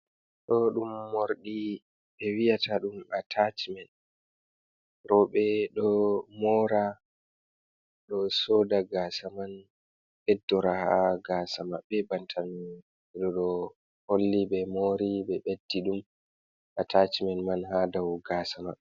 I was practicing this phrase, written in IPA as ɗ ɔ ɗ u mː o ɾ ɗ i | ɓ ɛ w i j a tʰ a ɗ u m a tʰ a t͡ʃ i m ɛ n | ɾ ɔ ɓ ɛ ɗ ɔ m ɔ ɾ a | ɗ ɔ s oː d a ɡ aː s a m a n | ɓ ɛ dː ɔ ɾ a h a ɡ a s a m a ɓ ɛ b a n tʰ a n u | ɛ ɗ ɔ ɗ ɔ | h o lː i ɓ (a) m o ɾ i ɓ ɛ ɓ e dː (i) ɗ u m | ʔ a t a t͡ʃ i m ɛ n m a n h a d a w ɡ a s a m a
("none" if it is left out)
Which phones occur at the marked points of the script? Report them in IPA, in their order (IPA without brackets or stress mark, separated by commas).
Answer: ɛ, i